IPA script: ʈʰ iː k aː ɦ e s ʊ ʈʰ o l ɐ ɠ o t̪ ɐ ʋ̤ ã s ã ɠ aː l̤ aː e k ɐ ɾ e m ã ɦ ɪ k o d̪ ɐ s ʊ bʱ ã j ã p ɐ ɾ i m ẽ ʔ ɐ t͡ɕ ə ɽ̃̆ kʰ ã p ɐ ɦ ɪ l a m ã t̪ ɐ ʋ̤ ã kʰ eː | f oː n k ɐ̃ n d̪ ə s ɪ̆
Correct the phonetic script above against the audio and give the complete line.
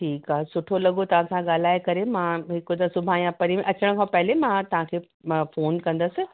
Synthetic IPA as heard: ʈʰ iː k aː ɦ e s ʊ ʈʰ o l ɐ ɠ o t̪ ɐ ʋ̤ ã s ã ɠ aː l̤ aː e k ɐ ɾ e m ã ɦ ɪ k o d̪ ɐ s ʊ bʱ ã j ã p ɐ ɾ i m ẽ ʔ ɐ t͡ɕ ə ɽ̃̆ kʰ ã p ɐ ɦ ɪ l e m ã t̪ ɐ ʋ̤ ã kʰ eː | f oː n k ɐ̃ n d̪ ə s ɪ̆